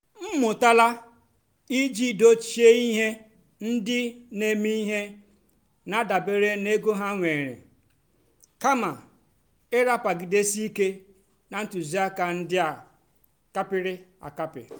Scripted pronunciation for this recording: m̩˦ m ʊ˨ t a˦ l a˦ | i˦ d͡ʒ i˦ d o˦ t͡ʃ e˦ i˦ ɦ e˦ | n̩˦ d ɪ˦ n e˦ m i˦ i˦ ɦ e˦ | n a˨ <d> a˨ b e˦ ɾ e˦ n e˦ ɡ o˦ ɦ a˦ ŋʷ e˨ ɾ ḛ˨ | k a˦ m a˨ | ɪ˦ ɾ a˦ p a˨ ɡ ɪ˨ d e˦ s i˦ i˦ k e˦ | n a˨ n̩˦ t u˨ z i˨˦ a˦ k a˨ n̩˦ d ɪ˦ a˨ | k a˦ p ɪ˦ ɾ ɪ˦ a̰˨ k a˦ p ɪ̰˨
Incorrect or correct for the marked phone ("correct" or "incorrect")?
correct